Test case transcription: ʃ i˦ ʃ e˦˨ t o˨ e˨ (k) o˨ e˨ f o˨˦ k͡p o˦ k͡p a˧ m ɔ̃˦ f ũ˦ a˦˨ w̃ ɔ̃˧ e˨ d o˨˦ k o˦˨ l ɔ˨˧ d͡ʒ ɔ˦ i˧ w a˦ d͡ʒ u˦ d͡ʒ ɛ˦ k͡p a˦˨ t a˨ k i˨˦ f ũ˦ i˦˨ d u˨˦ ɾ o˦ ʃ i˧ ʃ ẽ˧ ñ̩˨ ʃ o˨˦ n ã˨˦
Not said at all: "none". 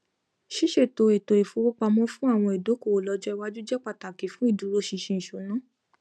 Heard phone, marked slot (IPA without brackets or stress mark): t